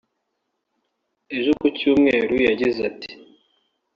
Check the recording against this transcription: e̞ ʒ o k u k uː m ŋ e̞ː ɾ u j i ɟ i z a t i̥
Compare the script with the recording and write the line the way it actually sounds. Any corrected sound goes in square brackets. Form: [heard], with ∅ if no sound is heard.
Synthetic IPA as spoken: e̞ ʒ o k u [c] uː m ŋ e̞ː ɾ u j [a] ɟ i z a t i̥